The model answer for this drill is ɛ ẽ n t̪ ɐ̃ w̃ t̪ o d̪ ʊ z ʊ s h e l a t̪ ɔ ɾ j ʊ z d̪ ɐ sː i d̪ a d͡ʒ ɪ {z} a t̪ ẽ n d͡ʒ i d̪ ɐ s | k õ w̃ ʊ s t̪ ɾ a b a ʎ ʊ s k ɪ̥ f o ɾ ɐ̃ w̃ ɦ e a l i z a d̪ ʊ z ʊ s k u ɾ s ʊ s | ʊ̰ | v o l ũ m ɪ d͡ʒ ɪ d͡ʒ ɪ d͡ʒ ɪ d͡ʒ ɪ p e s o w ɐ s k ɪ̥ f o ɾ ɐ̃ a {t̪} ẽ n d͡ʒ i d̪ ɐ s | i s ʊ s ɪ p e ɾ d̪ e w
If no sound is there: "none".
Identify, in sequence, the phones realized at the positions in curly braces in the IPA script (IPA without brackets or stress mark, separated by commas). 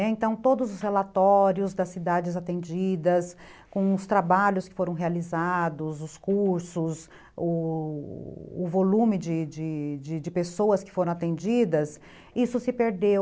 z, t̪